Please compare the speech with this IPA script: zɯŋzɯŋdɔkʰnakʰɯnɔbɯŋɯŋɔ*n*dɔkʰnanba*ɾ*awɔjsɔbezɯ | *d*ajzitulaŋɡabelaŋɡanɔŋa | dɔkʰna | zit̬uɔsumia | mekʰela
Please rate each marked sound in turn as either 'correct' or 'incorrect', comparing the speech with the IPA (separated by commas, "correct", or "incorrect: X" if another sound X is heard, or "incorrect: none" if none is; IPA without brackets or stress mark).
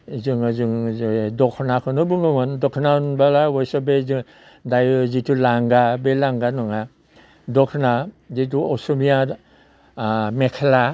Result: correct, incorrect: l, correct